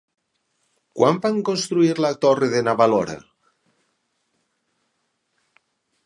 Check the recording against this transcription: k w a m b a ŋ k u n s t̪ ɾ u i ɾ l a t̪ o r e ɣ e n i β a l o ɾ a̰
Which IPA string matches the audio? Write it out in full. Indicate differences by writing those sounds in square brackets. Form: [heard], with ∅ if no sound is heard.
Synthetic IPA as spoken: k w a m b a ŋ k [o] n s t̪ ɾ u i ɾ l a t̪ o r e [ð] e n [a] β a l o ɾ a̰